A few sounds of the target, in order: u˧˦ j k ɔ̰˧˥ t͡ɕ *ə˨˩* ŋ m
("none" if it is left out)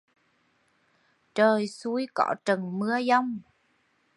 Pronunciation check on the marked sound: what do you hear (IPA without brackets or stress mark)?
ə˨˩